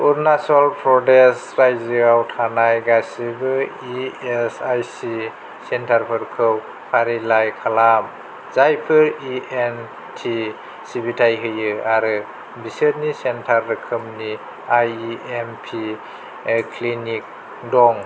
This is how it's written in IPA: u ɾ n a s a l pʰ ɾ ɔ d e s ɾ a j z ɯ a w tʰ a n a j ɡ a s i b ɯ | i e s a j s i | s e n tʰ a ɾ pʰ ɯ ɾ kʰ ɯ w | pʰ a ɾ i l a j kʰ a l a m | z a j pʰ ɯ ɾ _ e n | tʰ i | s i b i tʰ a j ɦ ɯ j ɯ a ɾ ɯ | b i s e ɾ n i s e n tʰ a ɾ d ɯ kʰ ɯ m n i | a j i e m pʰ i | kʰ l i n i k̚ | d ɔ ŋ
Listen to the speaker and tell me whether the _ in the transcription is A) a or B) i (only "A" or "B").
B